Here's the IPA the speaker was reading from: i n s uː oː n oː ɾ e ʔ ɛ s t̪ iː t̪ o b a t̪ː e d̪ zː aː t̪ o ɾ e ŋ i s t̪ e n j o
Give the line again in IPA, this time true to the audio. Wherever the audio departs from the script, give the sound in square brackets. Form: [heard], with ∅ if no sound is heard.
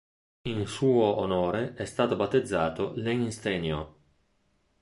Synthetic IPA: i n s uː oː n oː ɾ e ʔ ɛ s t̪ [aː] t̪ o b a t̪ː e d̪ zː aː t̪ o [l] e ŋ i s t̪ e n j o